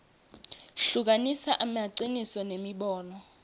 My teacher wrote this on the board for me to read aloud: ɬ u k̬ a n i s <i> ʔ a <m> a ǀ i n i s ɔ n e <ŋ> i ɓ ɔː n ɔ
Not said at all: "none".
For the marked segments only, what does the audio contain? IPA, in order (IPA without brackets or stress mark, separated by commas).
a, m, m